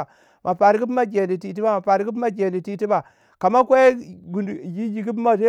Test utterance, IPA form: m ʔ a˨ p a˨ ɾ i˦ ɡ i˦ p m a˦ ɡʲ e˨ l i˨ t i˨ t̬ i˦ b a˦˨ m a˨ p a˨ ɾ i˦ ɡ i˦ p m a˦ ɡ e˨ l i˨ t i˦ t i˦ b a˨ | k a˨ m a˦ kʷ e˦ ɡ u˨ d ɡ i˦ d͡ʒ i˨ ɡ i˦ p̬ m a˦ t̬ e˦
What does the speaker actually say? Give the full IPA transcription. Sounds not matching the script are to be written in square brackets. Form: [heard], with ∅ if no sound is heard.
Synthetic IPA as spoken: m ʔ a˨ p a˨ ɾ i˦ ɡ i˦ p m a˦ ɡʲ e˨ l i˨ t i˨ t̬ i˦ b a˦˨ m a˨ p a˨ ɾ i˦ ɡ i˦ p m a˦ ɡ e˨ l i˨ t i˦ t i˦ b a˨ | k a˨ m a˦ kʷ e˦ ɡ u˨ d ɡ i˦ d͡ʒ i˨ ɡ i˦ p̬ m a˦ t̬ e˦